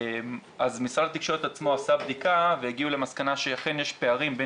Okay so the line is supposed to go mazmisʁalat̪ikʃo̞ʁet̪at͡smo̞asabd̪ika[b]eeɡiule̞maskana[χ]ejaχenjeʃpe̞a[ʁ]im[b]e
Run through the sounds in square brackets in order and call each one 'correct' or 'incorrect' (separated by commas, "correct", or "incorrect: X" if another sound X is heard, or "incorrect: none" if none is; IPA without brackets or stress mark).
incorrect: v, incorrect: ʃ, correct, correct